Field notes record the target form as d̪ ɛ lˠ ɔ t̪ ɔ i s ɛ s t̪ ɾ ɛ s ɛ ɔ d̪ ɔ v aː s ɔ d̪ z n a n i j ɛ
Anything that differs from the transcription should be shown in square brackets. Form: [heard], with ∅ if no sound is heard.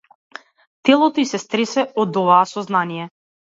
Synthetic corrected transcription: [t̪] ɛ lˠ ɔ t̪ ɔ i s ɛ s t̪ ɾ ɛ s ɛ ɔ d̪ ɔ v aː s ɔ [∅] z n a n i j ɛ